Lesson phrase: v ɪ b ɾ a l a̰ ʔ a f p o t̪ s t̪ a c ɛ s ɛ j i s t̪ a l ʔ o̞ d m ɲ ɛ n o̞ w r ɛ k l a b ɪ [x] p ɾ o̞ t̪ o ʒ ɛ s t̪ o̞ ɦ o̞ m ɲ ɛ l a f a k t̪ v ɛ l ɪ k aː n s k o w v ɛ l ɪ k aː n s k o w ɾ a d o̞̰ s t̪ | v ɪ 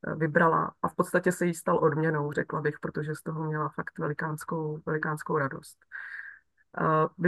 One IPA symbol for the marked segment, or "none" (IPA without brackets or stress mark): x